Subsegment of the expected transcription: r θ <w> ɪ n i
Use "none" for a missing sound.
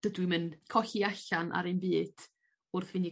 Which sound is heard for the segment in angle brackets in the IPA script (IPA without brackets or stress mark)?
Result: v